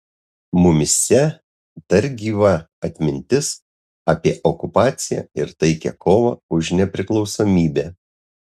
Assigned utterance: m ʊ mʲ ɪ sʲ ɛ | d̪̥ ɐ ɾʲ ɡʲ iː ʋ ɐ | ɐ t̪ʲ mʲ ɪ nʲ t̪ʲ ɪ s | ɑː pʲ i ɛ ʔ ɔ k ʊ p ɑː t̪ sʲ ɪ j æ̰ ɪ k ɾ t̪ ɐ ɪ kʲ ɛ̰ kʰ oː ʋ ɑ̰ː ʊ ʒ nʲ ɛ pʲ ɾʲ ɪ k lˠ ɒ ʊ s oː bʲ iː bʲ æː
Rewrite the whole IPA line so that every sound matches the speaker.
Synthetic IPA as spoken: m ʊ mʲ ɪ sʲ ɛ | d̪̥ ɐ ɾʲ ɡʲ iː ʋ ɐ | ɐ t̪ʲ mʲ ɪ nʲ t̪ʲ ɪ s | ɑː pʲ i ɛ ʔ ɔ k ʊ p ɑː t̪ sʲ ɪ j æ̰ ɪ ɾ t̪ ɐ ɪ kʲ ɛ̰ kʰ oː ʋ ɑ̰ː ʊ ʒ nʲ ɛ pʲ ɾʲ ɪ k lˠ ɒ ʊ s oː mʲ iː bʲ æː